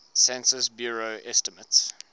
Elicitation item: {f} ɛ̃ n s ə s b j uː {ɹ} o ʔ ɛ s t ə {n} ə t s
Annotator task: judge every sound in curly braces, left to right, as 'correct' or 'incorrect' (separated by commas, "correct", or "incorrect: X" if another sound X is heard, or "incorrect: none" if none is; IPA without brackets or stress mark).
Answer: incorrect: s, correct, incorrect: m